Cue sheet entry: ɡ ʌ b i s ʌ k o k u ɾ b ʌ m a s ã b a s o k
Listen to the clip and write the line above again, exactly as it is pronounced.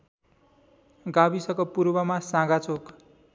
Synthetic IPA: ɡ a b i s ʌ k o p u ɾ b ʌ m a s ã ɡ a t͡s o k